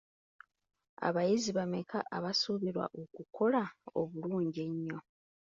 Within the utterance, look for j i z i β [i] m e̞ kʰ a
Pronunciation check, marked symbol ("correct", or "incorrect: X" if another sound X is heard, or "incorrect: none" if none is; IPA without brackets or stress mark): incorrect: a